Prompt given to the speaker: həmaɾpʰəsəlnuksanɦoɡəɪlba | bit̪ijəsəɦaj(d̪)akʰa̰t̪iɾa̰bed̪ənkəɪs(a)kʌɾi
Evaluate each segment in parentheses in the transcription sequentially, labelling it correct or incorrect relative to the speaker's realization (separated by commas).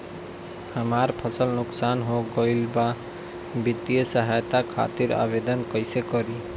incorrect, incorrect